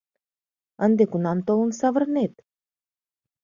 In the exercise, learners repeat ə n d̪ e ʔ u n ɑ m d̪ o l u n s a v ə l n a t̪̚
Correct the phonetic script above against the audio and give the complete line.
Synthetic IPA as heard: ə n d̪ e k u n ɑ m t̪ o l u n s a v ə r n e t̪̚

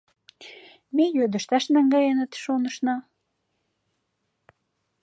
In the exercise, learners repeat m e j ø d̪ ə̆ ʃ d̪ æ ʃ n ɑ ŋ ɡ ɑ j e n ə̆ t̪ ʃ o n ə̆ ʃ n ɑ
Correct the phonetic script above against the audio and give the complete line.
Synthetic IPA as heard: m e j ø d̪ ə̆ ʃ t̪ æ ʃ n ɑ ŋ ɡ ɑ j e n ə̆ t̪ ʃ o n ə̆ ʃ n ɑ

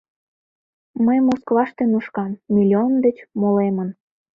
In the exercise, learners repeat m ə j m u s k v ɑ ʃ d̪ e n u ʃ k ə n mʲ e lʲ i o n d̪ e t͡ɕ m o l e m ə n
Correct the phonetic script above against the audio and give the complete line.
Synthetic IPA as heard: m ə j m o s k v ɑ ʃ t̪ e n u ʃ k ɑ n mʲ i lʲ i o n d̪ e t͡ɕ m o l e m ə n

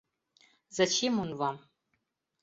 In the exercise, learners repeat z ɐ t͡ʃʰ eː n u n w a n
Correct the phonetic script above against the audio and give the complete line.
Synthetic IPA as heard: z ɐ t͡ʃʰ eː m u n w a m

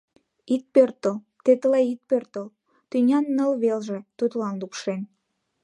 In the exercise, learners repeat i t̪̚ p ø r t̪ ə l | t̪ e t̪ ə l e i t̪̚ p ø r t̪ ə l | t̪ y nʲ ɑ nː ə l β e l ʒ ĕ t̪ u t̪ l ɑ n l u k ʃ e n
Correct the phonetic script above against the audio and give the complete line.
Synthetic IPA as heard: i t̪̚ p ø r t̪ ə l | t̪ e t̪ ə l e i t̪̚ p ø r t̪ ə l | t̪ y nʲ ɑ nː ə l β e l ʒ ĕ t̪ u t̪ l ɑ n l u k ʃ e n

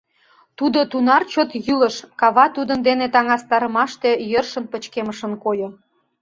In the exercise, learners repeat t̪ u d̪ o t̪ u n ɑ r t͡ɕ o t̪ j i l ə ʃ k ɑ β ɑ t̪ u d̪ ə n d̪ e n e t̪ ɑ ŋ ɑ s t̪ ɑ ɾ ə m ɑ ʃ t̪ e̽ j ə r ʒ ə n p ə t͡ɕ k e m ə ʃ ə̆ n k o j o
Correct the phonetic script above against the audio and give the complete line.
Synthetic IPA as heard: t̪ u d̪ o t̪ u n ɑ r t͡ɕ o t̪ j y l ə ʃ k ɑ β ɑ t̪ u d̪ ə n d̪ e n e t̪ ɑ ŋ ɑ s t̪ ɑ ɾ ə m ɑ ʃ t̪ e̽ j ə r ʃ ə n p ə t͡ɕ k e m ə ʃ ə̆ n k o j o

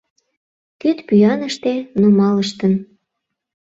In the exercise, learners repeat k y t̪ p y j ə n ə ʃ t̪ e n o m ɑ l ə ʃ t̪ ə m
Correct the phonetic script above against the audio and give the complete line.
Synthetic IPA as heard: k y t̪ p y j ɑ n ə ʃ t̪ e n o m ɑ l ə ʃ t̪ ə n

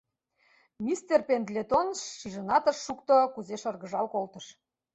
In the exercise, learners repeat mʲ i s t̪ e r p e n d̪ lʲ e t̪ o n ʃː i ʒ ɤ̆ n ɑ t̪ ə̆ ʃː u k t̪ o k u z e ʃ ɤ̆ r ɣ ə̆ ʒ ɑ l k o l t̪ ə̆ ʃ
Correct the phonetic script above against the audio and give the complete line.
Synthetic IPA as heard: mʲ i s t̪ e r p e n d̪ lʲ e t̪ o n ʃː i ʒ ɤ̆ n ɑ t̪ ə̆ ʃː u k t̪ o k u z e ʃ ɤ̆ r ɣ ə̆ ʒ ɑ l k o l t̪ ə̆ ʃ

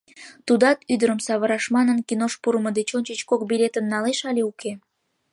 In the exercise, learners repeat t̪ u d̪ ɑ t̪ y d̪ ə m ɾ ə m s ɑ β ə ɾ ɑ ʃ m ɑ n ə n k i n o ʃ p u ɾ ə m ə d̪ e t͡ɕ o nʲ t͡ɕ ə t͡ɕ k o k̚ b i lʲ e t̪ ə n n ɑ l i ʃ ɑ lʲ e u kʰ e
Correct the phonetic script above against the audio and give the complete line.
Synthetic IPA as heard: t̪ u d̪ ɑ t̪ y d̪ ə ɾ ə m s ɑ β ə ɾ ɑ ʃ m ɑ n ə n k i n o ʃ p u ɾ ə m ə d̪ e t͡ɕ o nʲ t͡ɕ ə t͡ɕ k o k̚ b i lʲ e t̪ ə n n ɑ l e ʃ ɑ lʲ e u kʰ e

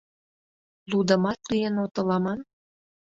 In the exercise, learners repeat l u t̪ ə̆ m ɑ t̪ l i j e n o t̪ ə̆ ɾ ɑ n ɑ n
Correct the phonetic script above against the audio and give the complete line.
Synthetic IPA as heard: l u d̪ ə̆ m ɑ t̪ l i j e n o t̪ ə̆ l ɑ m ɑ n

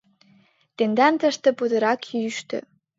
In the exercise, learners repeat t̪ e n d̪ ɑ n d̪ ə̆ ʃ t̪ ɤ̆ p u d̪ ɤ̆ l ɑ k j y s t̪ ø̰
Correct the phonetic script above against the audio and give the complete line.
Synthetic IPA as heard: t̪ e n d̪ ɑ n t̪ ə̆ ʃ t̪ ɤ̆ p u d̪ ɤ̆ ɾ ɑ k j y ʃ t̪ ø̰

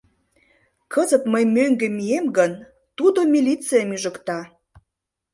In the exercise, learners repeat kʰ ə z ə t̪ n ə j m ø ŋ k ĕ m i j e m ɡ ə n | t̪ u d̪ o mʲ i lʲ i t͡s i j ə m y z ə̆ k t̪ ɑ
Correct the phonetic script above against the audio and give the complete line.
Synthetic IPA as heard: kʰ ə z ə t̪ m ə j m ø ŋ ɡ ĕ m i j e m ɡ ə n | t̪ u d̪ o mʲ i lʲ i t͡s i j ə m y ʒ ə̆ k t̪ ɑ

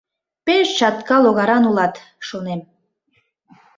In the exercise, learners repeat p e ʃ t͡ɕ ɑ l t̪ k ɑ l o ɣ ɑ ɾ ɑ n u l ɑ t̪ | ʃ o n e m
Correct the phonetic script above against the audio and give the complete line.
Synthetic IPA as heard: p e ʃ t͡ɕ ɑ t̪ k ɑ l o ɣ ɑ ɾ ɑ n u l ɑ t̪ | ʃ o n e m

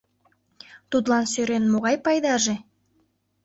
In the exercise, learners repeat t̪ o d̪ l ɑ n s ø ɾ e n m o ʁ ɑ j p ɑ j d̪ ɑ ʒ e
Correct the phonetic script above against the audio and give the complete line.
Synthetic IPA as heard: t̪ u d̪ l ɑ n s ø ɾ e n m o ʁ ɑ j p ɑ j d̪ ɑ ʒ e

